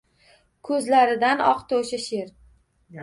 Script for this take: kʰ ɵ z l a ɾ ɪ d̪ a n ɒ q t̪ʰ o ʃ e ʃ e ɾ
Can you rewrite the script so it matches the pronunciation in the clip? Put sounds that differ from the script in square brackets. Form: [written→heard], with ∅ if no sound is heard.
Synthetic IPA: kʰ ɵ z l a ɾ ɪ d̪ a n ɒ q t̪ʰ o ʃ [e→a] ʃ e ɾ

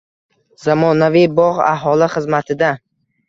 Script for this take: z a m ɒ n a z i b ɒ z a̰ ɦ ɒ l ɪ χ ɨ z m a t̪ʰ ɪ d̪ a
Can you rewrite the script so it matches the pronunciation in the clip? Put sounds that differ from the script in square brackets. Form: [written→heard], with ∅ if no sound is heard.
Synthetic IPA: z a m ɒ n a [z→v] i b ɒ [z→ʁ] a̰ ɦ ɒ l ɪ χ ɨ z m a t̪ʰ ɪ d̪ a

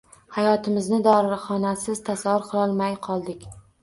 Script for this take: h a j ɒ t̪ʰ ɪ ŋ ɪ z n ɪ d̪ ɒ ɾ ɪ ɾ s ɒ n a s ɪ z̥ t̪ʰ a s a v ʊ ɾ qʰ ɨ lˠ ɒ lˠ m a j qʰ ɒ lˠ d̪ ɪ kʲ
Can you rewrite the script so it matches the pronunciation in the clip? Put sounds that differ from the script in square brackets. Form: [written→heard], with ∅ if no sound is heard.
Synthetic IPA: h a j ɒ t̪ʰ ɪ [ŋ→m] ɪ z n ɪ d̪ ɒ ɾ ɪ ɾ [s→χ] ɒ n a s ɪ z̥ t̪ʰ a s a v ʊ ɾ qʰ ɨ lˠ ɒ lˠ m a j qʰ ɒ lˠ d̪ ɪ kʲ

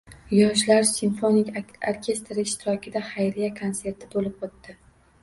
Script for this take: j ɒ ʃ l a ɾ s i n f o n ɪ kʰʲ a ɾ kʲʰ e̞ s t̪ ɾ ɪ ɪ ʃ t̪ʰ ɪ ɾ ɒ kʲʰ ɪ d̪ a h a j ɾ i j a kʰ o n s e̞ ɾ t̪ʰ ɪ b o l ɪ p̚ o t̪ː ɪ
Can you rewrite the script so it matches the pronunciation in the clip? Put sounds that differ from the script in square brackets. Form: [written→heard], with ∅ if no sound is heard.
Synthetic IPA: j ɒ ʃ l a ɾ s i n f o n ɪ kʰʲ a ɾ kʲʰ e̞ s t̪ ɾ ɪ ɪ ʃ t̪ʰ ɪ ɾ ɒ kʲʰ ɪ d̪ a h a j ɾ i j a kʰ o n s e̞ ɾ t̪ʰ ɪ b o l ɪ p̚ o t̪ː ɪ

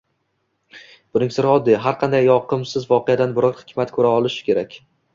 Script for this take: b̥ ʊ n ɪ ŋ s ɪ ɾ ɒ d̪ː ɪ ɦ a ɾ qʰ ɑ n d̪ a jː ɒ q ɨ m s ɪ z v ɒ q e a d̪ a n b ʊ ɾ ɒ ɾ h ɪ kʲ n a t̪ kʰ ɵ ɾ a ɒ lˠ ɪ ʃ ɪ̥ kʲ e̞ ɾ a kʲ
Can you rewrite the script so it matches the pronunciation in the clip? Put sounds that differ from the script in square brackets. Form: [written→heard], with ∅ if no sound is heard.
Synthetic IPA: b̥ ʊ n ɪ ŋ s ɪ ɾ ɒ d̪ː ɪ ɦ a ɾ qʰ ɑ n d̪ a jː ɒ q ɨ m s ɪ z v ɒ q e a d̪ a n b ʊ ɾ ɒ ɾ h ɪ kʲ [n→m] a t̪ kʰ ɵ ɾ a ɒ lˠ ɪ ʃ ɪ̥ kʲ e̞ ɾ a kʲ

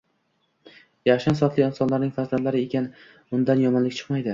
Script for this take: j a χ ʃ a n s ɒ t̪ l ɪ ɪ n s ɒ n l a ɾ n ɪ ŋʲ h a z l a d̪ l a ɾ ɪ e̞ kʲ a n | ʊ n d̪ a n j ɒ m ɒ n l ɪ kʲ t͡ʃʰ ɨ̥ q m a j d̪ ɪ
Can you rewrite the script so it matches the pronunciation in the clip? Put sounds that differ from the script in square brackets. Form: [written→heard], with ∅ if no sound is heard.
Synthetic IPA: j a χ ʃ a n s ɒ t̪ l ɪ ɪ n s ɒ n l a ɾ n ɪ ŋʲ [h→f] a z l a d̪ l a ɾ ɪ e̞ kʲ a n | ʊ n d̪ a n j ɒ m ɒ n l ɪ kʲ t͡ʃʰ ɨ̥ q m a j d̪ ɪ

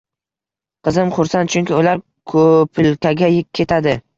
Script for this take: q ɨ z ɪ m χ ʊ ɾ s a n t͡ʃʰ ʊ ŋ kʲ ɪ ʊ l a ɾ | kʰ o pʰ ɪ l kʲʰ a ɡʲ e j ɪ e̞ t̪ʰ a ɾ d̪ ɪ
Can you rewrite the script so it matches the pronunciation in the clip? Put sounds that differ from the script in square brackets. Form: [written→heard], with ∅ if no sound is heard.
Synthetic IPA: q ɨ z ɪ m χ ʊ ɾ s a n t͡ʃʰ ʊ ŋ kʲ ɪ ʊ l a ɾ | kʰ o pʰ ɪ l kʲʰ a ɡʲ [e→a] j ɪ e̞ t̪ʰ a [ɾ→∅] d̪ ɪ

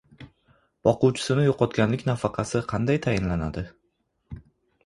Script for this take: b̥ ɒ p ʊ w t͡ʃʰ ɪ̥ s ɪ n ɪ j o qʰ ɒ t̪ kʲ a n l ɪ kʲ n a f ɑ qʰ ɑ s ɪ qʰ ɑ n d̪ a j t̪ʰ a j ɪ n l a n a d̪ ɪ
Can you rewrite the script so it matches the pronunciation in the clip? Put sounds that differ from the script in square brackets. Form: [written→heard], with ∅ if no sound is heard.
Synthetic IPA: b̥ ɒ [p→q] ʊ w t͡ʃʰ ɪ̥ s ɪ n ɪ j o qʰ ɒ t̪ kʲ a n l ɪ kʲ n a f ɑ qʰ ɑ s ɪ qʰ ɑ n d̪ a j t̪ʰ a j ɪ n l a n a d̪ ɪ

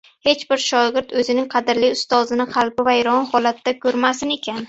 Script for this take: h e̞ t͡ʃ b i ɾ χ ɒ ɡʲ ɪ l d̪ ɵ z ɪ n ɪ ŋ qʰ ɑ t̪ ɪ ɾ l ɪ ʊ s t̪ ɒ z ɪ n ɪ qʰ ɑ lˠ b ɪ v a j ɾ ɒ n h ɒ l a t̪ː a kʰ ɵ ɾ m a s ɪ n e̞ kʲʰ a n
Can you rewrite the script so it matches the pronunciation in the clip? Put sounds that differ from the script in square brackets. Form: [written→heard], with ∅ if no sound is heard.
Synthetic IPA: h e̞ t͡ʃ b [i→ɪ] ɾ [χ→ʃ] ɒ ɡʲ ɪ [l→ɾ] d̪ ɵ z ɪ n ɪ ŋ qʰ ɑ [t̪→d̪] ɪ ɾ l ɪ ʊ s t̪ ɒ z ɪ n ɪ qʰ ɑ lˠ b ɪ v a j ɾ ɒ n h ɒ l a t̪ː a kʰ ɵ ɾ m a s ɪ n e̞ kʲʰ a n

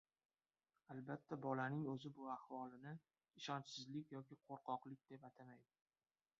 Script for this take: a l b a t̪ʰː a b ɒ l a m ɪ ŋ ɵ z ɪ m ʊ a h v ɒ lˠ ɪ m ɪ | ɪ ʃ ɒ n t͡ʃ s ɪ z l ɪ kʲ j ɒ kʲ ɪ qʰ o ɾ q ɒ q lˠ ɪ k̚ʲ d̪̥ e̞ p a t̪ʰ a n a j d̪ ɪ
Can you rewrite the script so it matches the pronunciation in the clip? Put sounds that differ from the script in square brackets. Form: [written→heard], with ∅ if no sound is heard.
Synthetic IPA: a l b a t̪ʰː a b ɒ l a [m→n] ɪ ŋ ɵ z ɪ [m→b] ʊ a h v ɒ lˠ ɪ [m→n] ɪ | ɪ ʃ ɒ n t͡ʃ s ɪ z l ɪ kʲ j ɒ kʲ ɪ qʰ o ɾ q ɒ q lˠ ɪ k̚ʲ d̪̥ e̞ p a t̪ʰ a [n→m] a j d̪ ɪ

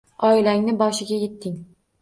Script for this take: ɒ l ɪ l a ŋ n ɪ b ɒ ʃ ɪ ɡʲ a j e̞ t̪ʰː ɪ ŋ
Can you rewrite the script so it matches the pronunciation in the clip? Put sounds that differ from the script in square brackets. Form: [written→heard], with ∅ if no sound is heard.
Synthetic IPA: ɒ [l→∅] ɪ l a ŋ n ɪ b ɒ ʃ ɪ ɡʲ a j e̞ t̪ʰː ɪ ŋ

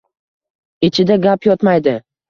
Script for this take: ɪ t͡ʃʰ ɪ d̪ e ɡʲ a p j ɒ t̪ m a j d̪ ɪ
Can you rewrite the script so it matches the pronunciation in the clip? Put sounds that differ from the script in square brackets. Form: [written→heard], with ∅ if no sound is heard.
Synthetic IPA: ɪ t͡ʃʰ ɪ d̪ [e→a] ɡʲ a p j ɒ t̪ m a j d̪ ɪ

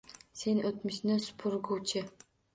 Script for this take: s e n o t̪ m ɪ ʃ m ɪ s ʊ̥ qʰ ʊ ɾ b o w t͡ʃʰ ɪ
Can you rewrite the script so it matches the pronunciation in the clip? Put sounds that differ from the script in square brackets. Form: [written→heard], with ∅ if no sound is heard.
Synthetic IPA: s e n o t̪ m ɪ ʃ [m→n] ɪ s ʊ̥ [qʰ→pʰ] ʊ ɾ [b→ɡ] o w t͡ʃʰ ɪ

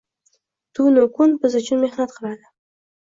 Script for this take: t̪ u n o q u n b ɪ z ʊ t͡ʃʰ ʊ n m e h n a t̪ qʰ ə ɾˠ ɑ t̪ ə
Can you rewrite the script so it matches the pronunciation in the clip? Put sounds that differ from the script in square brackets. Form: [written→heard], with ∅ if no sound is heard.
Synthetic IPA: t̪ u n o [q→k] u n b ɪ z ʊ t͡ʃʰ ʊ n m e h n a t̪ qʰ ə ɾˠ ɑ [t̪→d̪] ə

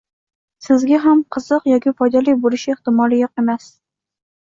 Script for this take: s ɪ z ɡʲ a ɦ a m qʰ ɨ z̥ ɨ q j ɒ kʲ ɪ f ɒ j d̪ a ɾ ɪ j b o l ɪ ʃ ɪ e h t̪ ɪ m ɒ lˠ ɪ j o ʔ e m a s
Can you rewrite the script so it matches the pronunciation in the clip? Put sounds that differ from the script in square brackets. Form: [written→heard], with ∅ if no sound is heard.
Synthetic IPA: s ɪ z ɡʲ a ɦ a m qʰ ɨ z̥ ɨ q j ɒ kʲ ɪ f ɒ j d̪ a [ɾ→l] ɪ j b o l ɪ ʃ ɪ e h t̪ ɪ m ɒ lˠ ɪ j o [ʔ→q] e m a s

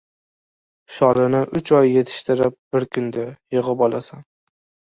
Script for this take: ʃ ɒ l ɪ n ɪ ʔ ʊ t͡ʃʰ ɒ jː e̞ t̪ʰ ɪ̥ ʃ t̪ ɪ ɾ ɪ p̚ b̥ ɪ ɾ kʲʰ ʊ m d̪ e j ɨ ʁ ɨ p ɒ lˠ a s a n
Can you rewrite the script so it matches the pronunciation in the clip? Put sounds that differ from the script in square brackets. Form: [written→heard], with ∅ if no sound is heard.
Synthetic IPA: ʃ ɒ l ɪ n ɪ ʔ ʊ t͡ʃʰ ɒ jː e̞ t̪ʰ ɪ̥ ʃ t̪ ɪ ɾ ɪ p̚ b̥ ɪ ɾ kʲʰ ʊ [m→n] d̪ [e→a] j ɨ ʁ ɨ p ɒ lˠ a s a n

